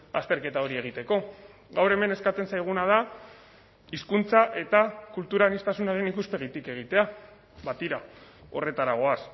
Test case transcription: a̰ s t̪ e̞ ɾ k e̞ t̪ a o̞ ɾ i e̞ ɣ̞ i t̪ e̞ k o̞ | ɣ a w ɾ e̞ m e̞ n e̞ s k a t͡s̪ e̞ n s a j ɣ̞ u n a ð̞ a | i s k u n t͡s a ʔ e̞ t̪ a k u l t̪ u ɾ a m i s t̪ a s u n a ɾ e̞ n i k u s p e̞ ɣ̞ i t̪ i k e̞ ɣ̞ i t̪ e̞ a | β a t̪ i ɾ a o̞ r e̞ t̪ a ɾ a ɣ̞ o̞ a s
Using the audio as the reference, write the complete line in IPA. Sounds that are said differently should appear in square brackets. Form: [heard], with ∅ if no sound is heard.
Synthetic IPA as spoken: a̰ s t̪ e̞ ɾ k e̞ t̪ a o̞ ɾ i e̞ ɣ̞ i t̪ e̞ k o̞ | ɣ a w ɾ e̞ m e̞ n e̞ s k a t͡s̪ e̞ n s a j ɣ̞ u n a ð̞ a | i s k u n t͡s a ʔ e̞ t̪ a k u l t̪ u ɾ a [n] i s t̪ a s u n a ɾ e̞ n i k u s p e̞ ɣ̞ i t̪ i k e̞ ɣ̞ i t̪ e̞ a | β a t̪ i ɾ a o̞ r e̞ t̪ a ɾ a ɣ̞ o̞ a s